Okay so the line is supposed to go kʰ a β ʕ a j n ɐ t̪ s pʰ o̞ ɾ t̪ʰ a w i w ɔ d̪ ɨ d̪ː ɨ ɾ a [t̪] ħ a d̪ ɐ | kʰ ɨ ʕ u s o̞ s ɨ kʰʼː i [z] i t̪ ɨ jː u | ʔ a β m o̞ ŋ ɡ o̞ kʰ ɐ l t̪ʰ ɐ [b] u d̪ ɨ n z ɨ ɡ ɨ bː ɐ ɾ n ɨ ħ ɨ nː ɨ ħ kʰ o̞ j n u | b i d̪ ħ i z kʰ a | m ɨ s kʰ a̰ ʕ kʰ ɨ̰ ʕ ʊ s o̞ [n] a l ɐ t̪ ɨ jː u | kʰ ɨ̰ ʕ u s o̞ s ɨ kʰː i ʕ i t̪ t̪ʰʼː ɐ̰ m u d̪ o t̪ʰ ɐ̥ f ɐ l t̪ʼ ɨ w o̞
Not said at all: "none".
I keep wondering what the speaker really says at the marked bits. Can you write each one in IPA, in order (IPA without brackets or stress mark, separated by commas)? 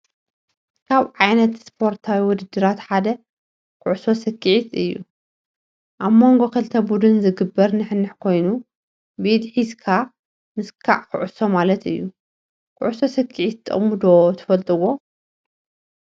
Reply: t̪, ʕ, b, m